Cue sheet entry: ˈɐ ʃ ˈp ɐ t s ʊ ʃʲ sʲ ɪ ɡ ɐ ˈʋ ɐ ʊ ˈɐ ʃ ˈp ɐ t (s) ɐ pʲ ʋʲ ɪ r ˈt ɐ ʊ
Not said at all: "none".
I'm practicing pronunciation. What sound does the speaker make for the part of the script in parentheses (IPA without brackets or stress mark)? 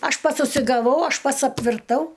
s